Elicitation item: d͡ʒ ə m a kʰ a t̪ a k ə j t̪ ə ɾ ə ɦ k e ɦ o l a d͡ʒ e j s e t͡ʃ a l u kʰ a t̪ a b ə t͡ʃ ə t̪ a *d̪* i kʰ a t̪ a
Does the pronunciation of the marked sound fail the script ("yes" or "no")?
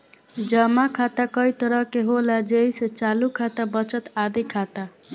no